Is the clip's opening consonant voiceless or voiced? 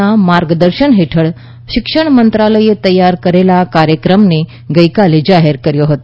voiced